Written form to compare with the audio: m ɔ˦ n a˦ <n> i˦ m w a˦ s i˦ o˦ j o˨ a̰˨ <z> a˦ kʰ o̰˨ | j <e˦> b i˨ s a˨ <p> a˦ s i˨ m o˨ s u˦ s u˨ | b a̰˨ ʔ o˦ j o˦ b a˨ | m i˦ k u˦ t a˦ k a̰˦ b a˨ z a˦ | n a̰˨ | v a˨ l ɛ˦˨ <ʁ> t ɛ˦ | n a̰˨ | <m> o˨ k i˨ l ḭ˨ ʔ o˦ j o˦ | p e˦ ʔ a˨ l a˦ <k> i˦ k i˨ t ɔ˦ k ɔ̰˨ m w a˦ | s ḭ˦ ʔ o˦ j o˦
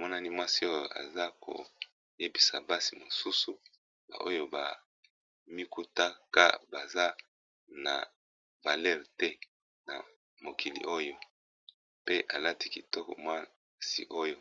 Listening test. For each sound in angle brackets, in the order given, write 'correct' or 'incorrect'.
correct, correct, correct, incorrect: b, correct, correct, incorrect: t

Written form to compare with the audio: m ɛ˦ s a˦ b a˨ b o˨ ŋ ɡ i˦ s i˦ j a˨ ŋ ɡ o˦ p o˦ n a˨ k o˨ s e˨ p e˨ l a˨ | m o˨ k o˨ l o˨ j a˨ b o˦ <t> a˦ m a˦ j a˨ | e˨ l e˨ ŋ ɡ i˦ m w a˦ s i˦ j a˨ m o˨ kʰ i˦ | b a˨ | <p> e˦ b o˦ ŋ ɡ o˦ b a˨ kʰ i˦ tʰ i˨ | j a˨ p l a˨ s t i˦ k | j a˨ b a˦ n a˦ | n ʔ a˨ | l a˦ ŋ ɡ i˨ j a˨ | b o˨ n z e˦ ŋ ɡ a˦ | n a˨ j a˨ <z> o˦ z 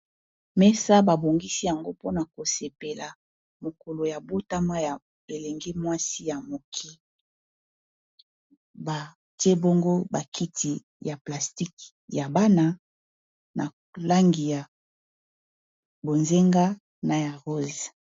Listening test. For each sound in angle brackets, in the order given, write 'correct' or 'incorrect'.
correct, incorrect: t, incorrect: ʁ

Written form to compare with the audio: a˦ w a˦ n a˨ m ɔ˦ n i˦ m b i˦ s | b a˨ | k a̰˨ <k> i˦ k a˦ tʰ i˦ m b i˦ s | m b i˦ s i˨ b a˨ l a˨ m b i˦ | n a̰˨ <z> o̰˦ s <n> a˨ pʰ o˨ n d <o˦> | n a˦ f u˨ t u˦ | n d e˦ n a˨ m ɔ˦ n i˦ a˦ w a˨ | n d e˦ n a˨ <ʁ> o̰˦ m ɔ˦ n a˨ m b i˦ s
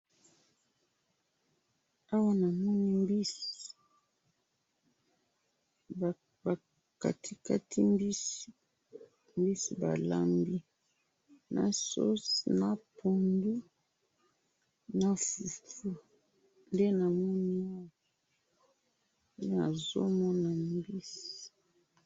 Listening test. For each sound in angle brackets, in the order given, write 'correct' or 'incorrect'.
incorrect: t, incorrect: s, correct, incorrect: u˦, incorrect: z

